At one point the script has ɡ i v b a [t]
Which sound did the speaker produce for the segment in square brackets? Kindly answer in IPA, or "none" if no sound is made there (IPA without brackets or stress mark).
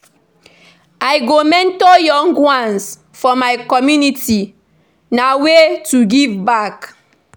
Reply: k